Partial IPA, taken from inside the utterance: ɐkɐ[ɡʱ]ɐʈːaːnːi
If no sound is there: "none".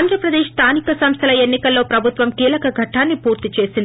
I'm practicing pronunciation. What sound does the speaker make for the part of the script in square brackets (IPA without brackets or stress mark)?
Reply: ɡʱ